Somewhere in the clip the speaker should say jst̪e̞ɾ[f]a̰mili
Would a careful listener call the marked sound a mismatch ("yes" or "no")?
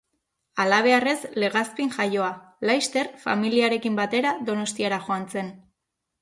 no